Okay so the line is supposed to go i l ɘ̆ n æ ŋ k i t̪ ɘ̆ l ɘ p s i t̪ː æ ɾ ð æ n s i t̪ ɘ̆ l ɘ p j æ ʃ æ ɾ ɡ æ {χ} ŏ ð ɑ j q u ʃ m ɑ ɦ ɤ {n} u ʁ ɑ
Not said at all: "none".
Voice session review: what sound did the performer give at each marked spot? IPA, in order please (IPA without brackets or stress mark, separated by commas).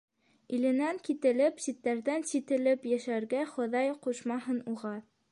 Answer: χ, n